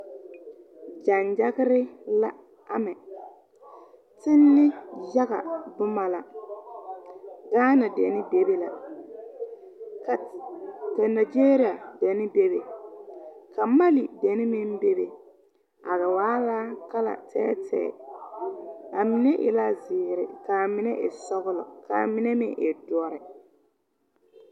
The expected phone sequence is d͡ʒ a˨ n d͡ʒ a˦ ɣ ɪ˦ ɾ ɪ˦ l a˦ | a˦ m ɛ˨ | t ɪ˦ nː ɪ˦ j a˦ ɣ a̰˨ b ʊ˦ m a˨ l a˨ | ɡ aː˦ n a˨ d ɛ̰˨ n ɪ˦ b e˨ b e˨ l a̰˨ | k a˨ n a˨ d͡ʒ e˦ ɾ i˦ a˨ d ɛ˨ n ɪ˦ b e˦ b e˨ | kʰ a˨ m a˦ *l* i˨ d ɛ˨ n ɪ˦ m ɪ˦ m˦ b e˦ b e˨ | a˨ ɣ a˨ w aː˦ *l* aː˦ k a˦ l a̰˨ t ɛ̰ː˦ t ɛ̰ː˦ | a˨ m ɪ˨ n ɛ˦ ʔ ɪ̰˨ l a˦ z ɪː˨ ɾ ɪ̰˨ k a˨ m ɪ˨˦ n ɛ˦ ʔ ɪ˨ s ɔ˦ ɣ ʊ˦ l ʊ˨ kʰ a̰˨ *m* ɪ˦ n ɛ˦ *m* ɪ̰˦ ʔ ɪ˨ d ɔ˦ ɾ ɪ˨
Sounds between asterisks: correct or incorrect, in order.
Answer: correct, correct, correct, correct

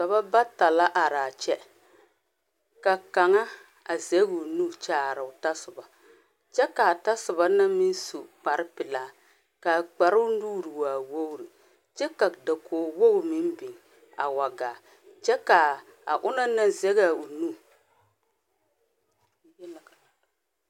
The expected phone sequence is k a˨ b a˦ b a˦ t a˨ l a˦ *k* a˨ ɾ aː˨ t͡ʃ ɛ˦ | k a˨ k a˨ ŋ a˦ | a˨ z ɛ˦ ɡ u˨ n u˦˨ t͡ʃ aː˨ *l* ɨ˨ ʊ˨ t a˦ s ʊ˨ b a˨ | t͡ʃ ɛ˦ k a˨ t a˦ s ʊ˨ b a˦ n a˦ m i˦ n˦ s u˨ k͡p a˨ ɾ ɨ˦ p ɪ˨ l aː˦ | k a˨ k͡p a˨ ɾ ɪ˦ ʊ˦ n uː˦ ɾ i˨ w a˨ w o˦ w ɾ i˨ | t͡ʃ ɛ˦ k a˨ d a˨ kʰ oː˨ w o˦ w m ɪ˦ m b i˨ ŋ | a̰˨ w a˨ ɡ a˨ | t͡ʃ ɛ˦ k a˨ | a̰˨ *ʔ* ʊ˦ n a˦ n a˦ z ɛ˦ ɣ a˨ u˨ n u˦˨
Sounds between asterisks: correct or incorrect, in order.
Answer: incorrect, incorrect, correct

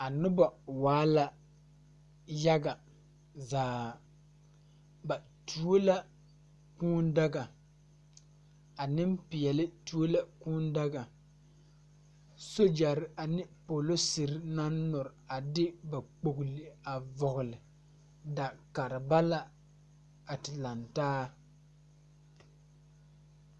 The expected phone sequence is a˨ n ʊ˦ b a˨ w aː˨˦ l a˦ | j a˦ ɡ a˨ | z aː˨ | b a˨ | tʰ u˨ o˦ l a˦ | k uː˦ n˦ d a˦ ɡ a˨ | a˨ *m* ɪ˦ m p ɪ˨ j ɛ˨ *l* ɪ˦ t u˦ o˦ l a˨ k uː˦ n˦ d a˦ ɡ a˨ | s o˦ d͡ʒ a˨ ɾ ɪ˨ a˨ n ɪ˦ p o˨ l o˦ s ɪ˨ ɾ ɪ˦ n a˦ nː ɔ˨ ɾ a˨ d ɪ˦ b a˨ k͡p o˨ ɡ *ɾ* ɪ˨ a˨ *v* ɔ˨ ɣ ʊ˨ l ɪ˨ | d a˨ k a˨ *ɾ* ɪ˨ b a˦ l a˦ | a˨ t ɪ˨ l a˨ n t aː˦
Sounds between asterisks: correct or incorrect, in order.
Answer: incorrect, correct, incorrect, correct, correct

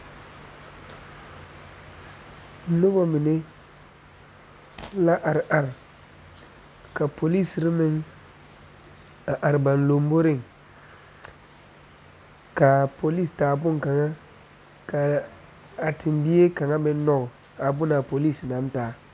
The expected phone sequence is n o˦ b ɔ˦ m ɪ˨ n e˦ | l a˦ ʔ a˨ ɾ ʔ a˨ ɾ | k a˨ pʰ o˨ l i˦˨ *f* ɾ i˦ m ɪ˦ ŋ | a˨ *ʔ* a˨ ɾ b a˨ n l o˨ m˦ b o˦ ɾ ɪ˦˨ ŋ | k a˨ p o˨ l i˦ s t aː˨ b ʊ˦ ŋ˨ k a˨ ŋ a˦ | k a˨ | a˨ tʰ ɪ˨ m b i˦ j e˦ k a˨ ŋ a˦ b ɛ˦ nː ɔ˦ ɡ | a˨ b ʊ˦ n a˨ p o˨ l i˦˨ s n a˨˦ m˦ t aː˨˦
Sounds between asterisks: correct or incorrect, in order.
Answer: incorrect, correct

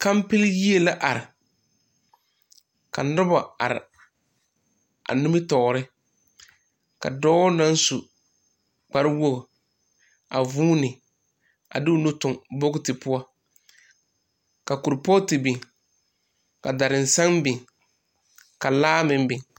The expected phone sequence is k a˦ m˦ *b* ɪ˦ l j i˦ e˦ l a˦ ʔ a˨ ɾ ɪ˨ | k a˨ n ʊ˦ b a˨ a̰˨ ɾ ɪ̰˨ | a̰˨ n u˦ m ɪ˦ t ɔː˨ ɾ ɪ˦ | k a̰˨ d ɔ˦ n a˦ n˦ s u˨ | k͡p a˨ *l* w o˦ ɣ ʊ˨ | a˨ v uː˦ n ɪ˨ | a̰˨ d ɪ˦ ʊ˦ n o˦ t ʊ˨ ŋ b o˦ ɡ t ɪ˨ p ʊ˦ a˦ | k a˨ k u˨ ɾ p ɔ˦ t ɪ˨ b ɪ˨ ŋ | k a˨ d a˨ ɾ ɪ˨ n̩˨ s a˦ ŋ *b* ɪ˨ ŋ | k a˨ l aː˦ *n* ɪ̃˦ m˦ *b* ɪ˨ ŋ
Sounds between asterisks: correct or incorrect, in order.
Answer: incorrect, incorrect, correct, incorrect, correct

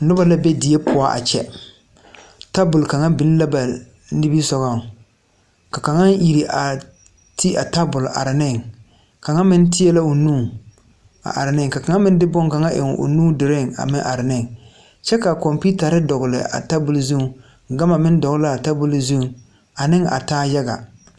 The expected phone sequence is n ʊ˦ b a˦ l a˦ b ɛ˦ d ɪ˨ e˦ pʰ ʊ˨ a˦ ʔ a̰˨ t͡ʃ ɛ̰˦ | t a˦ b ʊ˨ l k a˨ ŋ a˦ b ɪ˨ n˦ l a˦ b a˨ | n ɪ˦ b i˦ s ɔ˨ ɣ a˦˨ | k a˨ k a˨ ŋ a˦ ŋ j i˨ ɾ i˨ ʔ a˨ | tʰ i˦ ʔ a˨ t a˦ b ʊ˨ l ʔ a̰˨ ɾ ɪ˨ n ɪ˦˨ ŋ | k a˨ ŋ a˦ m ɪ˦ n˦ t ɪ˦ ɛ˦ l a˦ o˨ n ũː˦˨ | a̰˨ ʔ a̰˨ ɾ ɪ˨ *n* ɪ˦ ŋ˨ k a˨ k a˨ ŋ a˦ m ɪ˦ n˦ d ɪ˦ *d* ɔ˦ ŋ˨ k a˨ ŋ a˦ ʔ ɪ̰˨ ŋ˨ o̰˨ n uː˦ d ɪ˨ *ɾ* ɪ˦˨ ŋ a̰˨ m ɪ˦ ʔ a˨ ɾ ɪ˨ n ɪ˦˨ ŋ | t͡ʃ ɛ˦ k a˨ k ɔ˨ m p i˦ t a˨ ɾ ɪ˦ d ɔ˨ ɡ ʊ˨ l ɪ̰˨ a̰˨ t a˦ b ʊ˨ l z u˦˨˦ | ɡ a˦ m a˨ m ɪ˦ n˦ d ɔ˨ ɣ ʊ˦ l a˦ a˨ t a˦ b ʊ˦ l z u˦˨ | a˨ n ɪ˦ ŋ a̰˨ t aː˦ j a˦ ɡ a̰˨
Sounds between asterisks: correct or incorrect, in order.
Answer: correct, incorrect, correct

